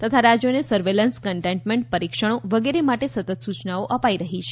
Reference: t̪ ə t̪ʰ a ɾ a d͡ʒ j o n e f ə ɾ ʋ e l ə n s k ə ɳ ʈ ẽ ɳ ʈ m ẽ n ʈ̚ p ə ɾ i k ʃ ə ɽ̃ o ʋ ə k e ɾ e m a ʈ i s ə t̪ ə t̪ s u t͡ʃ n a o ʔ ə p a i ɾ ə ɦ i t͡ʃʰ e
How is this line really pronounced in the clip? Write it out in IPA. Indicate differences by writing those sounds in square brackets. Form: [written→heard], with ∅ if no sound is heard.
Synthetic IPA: t̪ ə t̪ʰ a ɾ a d͡ʒ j o n e [f→s] ə ɾ ʋ e l ə n s k ə ɳ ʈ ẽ ɳ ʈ m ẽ [n→ɳ] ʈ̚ p ə ɾ i k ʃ ə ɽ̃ o ʋ ə [k→ɡ] e ɾ e m a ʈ [i→e] s ə t̪ ə t̪ s u t͡ʃ n a o ʔ ə p a i ɾ ə ɦ i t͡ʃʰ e

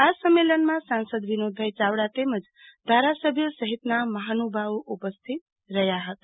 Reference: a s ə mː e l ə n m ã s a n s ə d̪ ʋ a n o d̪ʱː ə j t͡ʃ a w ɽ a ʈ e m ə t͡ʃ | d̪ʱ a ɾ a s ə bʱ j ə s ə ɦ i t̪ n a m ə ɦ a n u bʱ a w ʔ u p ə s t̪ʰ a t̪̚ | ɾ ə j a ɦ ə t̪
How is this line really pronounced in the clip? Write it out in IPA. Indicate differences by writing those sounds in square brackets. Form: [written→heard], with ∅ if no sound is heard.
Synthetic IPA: a s ə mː e l ə n m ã s a n s ə d̪ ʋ [a→i] n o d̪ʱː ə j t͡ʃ a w ɽ a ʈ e m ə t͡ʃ | d̪ʱ a ɾ a s ə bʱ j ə s ə ɦ i t̪ n a m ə ɦ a n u bʱ a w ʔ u p ə s t̪ʰ [a→i] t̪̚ | ɾ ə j a ɦ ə t̪

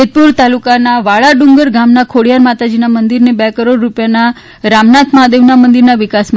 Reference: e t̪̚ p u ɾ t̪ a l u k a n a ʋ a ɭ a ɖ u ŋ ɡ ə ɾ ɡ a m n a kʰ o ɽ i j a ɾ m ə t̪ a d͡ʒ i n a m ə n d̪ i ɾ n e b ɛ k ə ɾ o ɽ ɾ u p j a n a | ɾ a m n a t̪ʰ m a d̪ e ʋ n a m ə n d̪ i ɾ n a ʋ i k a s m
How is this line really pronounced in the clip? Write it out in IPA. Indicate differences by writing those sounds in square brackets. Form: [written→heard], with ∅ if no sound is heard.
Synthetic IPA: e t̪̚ p u ɾ t̪ a l u k a n a ʋ a ɭ a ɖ u ŋ ɡ ə ɾ ɡ a m n a kʰ o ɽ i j a ɾ m [ə→a] t̪ a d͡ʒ i n a m ə n d̪ i ɾ n e b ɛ k ə ɾ o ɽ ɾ u p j a n a | ɾ a m n a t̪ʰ m a d̪ e ʋ n a m ə n d̪ i ɾ n a ʋ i k a s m

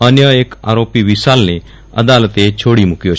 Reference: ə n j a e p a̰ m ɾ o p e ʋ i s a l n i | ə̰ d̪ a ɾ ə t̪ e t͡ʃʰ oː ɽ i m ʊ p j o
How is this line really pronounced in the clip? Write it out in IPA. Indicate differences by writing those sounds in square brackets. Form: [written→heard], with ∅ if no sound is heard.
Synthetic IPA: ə n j [a→ə] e [p→k] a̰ [m→∅] ɾ o p [e→i] ʋ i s a l n [i→e] | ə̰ d̪ a [ɾ→l] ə t̪ e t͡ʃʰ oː ɽ i m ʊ [p→k] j o

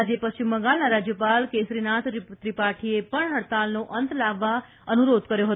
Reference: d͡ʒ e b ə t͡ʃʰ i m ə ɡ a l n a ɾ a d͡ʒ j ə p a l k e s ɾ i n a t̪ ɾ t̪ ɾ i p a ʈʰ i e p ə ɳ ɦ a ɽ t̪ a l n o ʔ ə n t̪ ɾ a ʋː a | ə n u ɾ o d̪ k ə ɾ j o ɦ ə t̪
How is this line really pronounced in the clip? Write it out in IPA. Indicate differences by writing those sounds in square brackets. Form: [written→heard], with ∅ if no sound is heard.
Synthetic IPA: d͡ʒ e [b→p] ə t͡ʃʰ i m ə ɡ a l n a ɾ a d͡ʒ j ə p a l k e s ɾ i n a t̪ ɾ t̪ ɾ i p a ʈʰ i e p ə ɳ ɦ [a→ə] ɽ t̪ a l n o ʔ ə n t̪ [ɾ→l] a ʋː a | ə n u ɾ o d̪ k ə ɾ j o ɦ ə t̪

